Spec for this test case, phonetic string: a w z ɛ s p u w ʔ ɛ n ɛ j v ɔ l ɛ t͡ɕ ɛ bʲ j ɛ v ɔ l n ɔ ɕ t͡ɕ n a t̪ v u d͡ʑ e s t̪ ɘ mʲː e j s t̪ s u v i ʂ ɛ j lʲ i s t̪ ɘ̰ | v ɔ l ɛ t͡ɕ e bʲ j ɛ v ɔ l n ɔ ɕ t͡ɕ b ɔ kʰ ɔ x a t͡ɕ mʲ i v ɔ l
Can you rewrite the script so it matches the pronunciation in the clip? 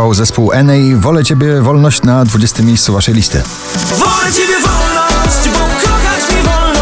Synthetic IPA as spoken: a w z ɛ s p u w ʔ ɛ n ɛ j v ɔ l ɛ t͡ɕ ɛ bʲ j ɛ v ɔ l n ɔ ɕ t͡ɕ n a d̪ v u d͡ʑ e s t̪ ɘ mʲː e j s t̪ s u v a ʂ ɛ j lʲ i s t̪ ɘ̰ | v ɔ l ɛ t͡ɕ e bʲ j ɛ v ɔ l n ɔ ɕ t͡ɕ b ɔ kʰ ɔ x a t͡ɕ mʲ i v ɔ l